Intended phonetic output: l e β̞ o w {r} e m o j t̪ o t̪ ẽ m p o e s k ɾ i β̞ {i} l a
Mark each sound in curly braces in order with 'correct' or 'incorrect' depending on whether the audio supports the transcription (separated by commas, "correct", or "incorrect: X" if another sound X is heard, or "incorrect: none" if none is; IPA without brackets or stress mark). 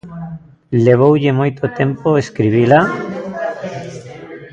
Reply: incorrect: ʎ, correct